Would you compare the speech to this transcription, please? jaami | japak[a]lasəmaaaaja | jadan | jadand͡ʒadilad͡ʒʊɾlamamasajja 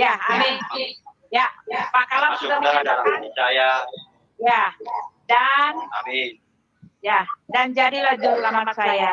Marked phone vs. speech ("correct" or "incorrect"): correct